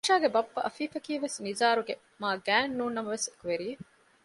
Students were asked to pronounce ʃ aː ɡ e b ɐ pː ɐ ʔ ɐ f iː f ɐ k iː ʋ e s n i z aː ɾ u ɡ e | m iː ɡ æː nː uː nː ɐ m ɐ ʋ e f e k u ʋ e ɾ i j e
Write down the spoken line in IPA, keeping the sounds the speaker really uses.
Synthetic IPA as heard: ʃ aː ɡ e b ɐ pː ɐ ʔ ɐ f iː f ɐ k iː ʋ e s n i z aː ɾ u ɡ e | m aː ɡ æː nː uː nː ɐ m ɐ ʋ e s e k u ʋ e ɾ i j e